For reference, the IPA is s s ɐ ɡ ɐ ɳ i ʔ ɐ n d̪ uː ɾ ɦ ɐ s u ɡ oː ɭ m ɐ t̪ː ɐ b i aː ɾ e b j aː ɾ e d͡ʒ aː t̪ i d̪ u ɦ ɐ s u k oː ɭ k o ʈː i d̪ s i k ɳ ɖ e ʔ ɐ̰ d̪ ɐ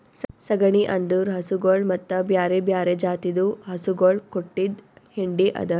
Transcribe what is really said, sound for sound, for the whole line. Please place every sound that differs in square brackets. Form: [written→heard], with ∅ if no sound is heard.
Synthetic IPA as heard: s s ɐ ɡ ɐ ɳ i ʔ ɐ n d̪ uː ɾ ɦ ɐ s u ɡ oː ɭ m ɐ t̪ː ɐ b [i→j] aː ɾ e b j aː ɾ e d͡ʒ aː t̪ i d̪ u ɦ ɐ s u [k→ɡ] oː ɭ k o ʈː i d̪ [s→h] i [k→∅] ɳ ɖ [e→i] ʔ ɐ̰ d̪ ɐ